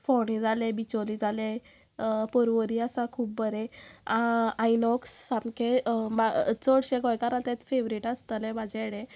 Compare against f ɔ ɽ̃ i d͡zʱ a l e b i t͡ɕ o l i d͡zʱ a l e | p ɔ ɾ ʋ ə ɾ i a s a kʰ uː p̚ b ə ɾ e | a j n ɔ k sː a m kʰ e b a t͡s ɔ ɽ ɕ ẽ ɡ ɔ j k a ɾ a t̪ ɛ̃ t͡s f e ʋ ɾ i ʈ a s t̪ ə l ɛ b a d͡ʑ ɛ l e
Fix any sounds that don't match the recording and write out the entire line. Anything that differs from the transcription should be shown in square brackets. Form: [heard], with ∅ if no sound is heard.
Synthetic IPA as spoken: f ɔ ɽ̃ i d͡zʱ a l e b i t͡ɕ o l i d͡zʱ a l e | p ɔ ɾ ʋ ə ɾ i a s a kʰ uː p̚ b ə ɾ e | a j n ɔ k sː a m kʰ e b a t͡s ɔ ɽ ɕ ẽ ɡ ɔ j k a ɾ a t̪ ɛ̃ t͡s f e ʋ ɾ i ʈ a s t̪ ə l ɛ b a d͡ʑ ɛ [ɽ] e